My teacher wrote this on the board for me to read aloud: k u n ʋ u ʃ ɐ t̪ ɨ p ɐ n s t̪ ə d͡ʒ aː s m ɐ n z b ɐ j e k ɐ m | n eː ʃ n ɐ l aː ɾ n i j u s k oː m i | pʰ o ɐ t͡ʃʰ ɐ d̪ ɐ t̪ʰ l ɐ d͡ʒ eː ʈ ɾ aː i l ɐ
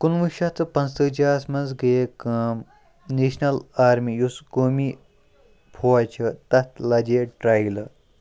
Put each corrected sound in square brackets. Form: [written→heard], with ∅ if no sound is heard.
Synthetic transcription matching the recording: k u n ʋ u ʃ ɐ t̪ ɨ p ɐ n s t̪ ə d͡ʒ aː s m ɐ n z [b→ɡ] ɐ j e k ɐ m | n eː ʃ n ɐ l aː ɾ [n→m] i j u s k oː m i | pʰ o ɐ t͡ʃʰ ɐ [d̪→t̪] ɐ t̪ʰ l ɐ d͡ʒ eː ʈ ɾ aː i l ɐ